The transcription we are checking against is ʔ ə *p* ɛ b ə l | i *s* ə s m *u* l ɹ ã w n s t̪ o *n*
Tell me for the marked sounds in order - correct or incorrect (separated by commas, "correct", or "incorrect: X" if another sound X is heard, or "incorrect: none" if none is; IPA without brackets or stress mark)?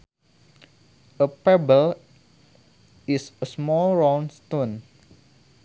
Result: correct, correct, incorrect: ɔ, correct